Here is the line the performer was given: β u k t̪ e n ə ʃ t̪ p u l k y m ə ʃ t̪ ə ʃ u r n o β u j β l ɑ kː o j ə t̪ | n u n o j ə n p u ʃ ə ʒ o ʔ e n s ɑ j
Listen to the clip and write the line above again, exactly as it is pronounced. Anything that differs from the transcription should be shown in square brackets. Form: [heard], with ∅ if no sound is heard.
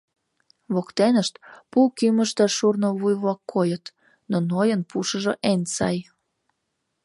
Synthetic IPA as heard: β [o] k t̪ e n ə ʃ t̪ p u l k y m ə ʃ t̪ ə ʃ u r n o β u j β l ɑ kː o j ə t̪ | n [o] n o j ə n p u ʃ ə ʒ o ʔ e n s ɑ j

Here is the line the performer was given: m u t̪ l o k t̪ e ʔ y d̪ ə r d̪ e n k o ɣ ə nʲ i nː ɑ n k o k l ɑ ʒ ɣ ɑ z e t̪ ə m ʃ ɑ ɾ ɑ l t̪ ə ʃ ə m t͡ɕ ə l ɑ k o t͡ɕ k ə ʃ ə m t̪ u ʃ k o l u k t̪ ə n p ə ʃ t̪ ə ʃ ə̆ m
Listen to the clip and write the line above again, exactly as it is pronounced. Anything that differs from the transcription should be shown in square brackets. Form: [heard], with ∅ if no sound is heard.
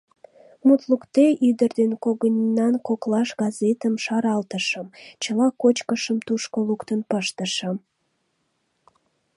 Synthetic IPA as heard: m u t̪ l [u] k t̪ e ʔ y d̪ ə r d̪ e n k o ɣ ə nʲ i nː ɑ n k o k l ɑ [ʃ] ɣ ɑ z e t̪ ə m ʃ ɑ ɾ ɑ l t̪ ə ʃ ə m t͡ɕ ə l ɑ k o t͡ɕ k ə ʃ ə m t̪ u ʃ k o l u k t̪ ə n p ə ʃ t̪ ə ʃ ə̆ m

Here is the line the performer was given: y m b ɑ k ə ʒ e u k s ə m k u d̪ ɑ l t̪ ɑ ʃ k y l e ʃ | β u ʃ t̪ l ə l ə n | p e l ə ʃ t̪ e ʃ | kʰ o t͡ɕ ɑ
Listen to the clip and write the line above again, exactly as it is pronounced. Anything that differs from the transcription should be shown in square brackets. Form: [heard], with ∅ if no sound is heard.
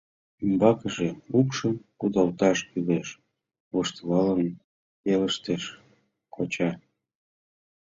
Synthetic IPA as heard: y m b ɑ k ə ʒ e u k [ʃ] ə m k u d̪ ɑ l t̪ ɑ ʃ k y l e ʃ | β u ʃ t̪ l [ɑ] l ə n | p e l ə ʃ t̪ e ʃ | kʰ o t͡ɕ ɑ

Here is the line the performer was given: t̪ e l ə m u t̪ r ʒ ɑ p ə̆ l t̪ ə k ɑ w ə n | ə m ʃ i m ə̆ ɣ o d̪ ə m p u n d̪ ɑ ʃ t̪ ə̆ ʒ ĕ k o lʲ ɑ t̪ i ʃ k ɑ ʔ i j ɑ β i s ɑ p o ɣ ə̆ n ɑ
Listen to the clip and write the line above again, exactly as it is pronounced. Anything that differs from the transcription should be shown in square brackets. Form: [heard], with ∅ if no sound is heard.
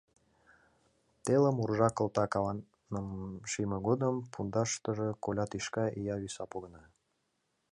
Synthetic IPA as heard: t̪ e l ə m u [∅] r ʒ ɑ [k] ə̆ l t̪ [ɑ] k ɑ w [ɑ] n | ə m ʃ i m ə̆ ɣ o d̪ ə m p u n d̪ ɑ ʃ t̪ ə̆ ʒ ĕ k o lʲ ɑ t̪ i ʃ k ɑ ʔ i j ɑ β i s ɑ p o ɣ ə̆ n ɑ

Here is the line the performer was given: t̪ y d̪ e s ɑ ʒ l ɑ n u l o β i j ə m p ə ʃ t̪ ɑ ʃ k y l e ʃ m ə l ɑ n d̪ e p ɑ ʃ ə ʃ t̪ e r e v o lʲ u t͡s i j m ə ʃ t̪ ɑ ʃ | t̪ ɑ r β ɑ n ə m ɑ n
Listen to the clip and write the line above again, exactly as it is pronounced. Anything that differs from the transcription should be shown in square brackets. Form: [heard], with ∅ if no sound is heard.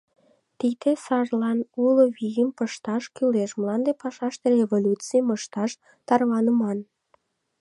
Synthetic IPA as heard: t̪ [i] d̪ e s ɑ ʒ l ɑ n u l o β i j ə m p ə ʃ t̪ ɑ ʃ k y l e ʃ m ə l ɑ n d̪ e p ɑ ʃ [ɑ] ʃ t̪ e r e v o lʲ u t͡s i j m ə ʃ t̪ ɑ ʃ | t̪ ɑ r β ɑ n ə m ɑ n

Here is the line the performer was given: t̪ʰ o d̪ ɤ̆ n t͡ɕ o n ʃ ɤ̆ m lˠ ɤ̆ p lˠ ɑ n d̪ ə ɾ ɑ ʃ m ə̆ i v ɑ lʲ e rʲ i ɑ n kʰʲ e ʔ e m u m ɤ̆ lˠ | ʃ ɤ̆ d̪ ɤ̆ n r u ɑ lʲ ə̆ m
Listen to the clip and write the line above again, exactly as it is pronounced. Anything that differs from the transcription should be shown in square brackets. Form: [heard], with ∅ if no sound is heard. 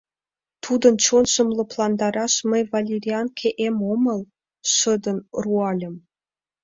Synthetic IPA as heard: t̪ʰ [u] d̪ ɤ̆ n t͡ɕ o n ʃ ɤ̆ m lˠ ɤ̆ p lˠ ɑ n d̪ [ɑ] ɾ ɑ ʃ m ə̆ [j] v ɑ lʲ e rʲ i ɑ n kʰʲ e ʔ e m [o] m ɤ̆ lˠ | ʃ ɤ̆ d̪ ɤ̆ n r u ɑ lʲ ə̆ m

